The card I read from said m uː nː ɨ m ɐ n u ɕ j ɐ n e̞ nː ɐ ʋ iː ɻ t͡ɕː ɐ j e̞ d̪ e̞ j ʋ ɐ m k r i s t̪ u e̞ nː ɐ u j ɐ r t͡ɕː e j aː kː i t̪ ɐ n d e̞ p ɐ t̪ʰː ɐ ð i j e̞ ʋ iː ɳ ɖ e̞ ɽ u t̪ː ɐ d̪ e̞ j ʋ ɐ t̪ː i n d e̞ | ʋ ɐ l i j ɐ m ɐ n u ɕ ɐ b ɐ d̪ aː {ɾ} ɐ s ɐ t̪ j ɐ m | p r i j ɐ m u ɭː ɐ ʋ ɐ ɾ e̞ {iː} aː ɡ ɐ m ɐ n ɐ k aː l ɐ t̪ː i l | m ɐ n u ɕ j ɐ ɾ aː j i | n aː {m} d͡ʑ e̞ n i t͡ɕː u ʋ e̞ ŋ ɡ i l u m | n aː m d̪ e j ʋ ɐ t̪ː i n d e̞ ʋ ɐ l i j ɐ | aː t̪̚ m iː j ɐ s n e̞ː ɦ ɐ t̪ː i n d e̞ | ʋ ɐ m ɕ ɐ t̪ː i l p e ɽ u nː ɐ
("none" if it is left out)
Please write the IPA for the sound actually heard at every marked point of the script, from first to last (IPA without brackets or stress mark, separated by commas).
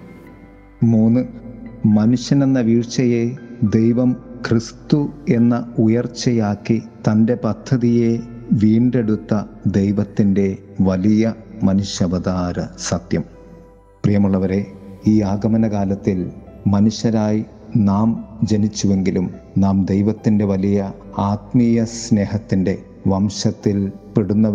ɾ, iː, m